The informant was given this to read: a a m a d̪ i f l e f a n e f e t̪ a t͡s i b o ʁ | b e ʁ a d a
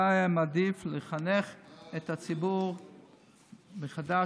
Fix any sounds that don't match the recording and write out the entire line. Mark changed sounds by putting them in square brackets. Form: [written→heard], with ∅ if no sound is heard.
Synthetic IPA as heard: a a m a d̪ i f l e [f→χ] a n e [f→χ] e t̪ a t͡s i b [o→u] ʁ | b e [ʁ→χ] a d a